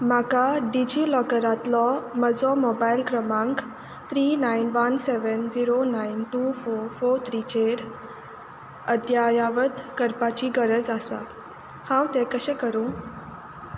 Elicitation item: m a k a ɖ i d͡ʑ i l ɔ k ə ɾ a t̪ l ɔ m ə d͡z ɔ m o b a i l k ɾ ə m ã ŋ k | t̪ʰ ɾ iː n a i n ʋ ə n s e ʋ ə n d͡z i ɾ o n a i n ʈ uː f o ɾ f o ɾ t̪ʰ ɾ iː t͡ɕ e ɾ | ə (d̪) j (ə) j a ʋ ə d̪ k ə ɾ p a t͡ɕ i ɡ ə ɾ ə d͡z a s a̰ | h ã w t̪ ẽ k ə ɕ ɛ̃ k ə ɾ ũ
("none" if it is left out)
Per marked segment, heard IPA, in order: d̪, a

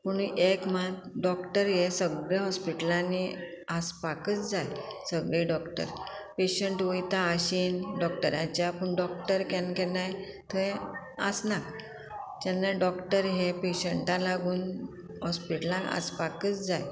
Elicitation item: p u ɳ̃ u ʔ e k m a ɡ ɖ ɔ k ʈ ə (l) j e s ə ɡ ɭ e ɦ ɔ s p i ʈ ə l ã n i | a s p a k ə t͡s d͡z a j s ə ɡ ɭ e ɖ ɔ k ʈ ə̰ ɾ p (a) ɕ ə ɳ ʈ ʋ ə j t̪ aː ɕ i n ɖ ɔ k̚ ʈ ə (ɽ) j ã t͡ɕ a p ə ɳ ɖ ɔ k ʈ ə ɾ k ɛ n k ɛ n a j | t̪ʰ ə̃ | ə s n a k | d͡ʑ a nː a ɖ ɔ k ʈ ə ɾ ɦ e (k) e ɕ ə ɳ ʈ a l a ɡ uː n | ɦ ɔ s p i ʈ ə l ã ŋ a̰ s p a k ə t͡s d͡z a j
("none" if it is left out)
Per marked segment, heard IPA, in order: ɾ, e, ɾ, p

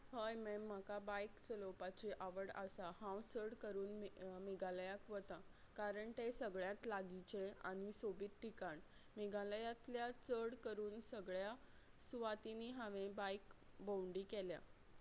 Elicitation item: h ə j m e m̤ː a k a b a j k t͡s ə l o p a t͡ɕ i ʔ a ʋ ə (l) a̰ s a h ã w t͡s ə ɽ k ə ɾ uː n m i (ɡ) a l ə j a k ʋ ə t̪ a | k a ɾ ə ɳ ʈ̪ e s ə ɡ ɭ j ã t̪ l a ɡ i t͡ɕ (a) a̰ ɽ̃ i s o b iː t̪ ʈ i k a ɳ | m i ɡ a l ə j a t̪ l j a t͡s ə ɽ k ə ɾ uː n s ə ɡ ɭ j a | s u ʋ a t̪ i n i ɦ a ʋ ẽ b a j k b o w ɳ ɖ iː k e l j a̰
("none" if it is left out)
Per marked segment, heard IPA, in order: ɽ, ɡ, e

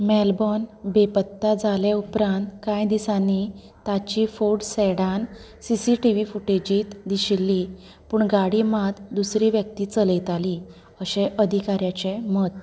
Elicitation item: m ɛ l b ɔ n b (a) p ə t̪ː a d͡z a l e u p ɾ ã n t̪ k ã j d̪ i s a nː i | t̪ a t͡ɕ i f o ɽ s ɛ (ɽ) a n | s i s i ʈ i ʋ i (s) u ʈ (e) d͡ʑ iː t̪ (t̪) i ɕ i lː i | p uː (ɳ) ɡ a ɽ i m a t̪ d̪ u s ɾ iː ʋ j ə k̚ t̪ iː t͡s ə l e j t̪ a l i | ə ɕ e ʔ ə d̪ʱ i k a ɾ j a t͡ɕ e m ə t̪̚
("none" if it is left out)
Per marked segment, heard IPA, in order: e, ɽ, f, e, d̪, ɳ

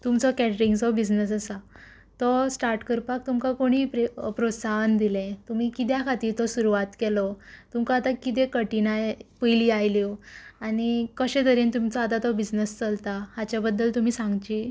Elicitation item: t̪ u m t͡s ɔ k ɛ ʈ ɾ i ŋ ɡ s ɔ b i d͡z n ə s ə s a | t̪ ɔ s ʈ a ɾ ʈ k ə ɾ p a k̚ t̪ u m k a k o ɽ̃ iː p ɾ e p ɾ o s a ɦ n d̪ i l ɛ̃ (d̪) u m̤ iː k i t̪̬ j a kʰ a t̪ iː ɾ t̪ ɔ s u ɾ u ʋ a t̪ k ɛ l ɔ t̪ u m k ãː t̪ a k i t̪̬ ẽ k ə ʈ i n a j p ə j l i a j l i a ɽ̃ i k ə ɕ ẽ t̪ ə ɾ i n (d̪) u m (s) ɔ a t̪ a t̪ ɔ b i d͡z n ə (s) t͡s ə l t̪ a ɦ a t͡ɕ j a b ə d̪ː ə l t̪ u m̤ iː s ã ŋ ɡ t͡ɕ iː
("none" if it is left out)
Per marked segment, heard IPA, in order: t̪, t̪, t͡s, s

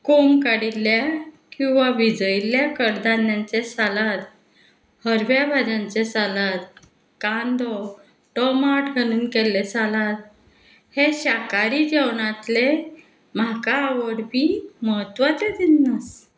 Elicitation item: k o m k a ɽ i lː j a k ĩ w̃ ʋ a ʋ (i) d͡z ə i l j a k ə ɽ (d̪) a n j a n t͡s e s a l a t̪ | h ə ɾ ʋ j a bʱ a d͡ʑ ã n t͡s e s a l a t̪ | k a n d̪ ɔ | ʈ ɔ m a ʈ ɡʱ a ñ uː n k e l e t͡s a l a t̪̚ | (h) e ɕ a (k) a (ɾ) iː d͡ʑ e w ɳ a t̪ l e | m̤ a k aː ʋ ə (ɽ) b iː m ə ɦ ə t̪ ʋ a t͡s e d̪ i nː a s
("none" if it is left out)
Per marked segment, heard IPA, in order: i, d̪, h, k, ɾ, ɽ

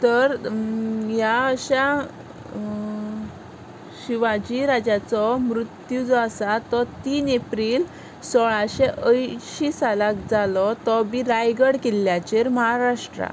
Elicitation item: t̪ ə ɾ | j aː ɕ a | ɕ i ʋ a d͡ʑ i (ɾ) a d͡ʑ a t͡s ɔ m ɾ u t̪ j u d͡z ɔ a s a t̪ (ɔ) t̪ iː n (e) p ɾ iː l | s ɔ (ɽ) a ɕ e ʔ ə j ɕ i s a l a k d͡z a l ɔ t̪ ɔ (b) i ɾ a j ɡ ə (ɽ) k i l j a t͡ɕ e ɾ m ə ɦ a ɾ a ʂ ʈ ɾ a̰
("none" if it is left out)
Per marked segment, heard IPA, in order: ɾ, ɔ, e, ɭ, b, ɽ

